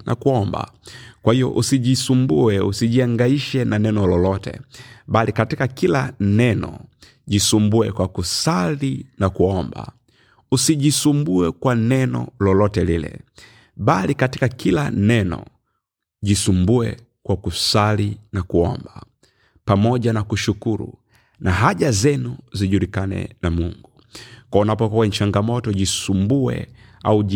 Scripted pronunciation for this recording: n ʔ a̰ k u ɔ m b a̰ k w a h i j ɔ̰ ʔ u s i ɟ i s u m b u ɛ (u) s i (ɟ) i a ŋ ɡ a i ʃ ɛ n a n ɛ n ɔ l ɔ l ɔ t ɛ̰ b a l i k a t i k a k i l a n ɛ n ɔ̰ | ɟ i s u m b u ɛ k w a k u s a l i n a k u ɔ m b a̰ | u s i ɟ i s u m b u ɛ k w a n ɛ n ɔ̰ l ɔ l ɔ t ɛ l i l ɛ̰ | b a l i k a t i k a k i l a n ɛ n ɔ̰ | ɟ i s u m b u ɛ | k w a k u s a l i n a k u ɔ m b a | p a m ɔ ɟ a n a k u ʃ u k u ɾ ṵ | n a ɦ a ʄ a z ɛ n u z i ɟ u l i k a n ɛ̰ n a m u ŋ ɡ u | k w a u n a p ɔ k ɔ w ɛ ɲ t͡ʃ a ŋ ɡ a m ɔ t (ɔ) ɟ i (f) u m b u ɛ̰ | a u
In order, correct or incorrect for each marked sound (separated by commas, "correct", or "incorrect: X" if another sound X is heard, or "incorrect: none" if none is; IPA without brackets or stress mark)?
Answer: correct, correct, correct, incorrect: s